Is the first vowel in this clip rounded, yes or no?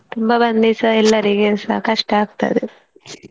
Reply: yes